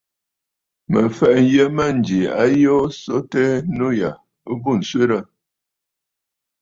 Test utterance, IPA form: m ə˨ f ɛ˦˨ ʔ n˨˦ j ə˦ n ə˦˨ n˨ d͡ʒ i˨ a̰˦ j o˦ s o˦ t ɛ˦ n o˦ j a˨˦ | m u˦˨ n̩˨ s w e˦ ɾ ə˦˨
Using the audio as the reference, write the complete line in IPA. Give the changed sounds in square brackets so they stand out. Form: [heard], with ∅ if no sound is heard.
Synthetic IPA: m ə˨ f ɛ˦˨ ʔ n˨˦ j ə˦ [m] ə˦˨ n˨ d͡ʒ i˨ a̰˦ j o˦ s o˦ t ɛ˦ n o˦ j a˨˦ | [b] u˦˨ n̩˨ s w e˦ ɾ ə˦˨

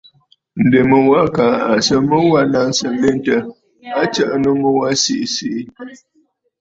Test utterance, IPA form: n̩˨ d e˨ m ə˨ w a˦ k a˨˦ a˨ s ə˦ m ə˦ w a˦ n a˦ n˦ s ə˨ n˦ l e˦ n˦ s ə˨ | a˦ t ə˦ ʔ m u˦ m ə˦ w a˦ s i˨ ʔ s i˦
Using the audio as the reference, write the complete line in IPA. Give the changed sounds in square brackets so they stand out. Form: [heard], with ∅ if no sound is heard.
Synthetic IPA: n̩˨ d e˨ m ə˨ w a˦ k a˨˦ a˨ s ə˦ m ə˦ w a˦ n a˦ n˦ s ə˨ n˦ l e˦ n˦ [t] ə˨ | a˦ [t͡ʃ] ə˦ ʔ [n] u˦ m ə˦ w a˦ s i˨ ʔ s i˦

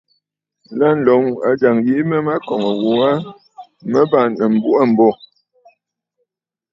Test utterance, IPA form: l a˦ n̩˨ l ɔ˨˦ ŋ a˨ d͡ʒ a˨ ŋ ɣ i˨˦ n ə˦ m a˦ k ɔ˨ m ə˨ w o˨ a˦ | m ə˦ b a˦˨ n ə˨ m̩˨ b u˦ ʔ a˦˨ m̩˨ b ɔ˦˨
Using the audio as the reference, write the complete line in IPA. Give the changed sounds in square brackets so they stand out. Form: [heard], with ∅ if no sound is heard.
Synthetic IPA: l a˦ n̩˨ l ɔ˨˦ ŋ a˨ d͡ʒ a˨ ŋ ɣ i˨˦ [m] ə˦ m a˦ k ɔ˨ [ŋ] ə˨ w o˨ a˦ | m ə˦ b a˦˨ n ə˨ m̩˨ b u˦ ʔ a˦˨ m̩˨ b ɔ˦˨

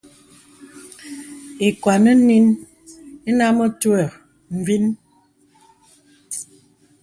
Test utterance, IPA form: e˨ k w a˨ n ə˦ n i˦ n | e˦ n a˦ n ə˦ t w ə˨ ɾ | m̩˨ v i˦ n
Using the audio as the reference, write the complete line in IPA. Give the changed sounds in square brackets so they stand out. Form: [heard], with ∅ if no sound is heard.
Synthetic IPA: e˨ k w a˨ n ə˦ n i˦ n | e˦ n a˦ [m] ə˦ t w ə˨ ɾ | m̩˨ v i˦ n

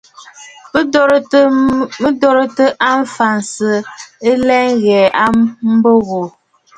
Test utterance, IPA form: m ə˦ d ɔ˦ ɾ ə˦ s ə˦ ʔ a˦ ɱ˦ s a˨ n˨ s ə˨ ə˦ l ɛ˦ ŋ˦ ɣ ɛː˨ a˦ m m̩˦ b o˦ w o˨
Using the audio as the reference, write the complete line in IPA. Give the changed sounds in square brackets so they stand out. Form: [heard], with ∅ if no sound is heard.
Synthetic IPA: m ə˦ d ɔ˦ ɾ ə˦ [t] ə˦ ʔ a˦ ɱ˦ [f] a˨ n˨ s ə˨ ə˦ l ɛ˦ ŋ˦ ɣ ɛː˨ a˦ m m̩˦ b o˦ [ɣ] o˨

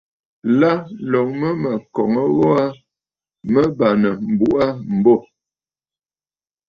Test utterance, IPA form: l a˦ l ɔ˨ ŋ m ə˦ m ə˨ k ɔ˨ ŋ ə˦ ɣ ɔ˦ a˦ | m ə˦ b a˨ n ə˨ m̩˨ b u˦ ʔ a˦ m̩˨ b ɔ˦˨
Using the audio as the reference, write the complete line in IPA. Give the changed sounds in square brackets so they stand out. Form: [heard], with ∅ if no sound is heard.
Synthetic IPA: l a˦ l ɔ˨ ŋ m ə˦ m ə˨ k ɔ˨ ŋ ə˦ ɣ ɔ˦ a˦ | m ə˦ b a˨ n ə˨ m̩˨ b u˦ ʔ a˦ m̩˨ b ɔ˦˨

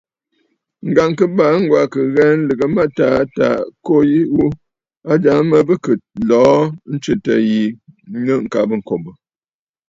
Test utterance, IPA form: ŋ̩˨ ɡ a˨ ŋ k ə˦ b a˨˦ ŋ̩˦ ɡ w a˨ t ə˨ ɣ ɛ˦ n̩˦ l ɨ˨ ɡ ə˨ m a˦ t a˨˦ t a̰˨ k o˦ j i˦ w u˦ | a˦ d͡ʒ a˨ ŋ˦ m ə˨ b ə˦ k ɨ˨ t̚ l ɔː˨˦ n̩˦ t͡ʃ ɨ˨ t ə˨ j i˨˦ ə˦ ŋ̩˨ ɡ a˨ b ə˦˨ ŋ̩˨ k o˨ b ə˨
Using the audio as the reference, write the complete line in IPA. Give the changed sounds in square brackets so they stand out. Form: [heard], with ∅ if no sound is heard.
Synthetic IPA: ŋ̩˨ ɡ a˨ ŋ k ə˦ b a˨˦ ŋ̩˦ ɡ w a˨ [k] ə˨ ɣ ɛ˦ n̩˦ l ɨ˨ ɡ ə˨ m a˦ t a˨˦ t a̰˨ k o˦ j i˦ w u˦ | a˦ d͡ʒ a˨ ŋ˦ m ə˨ b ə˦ k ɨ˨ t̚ l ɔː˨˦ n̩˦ t͡ʃ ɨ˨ t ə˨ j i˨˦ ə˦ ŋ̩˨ [k] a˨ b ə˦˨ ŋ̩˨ k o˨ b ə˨

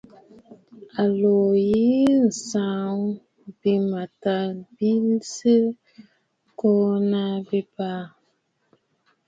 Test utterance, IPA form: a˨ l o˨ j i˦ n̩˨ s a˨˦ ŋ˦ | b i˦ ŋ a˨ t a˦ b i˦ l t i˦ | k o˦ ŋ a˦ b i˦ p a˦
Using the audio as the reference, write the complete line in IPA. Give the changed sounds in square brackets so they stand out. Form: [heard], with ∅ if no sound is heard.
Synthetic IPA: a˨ l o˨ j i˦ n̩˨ s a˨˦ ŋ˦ | b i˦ [m] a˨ t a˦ b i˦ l [s] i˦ | k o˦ [n] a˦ b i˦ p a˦

